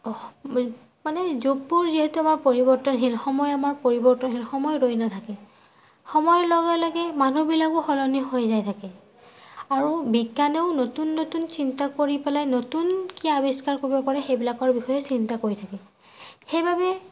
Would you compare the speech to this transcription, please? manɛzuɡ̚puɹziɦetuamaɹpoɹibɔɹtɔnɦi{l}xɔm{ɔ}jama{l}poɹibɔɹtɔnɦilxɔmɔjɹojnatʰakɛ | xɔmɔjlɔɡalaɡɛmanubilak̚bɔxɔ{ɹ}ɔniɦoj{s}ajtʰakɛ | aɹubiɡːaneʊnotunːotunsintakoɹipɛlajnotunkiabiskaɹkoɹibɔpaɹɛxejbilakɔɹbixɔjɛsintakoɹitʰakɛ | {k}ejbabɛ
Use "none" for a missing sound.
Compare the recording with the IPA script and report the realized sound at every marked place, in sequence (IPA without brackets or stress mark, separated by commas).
l, ɔ, ɹ, l, z, x